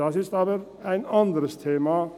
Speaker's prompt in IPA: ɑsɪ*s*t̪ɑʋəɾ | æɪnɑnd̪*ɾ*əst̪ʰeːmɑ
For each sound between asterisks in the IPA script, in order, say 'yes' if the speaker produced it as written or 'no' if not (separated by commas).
yes, yes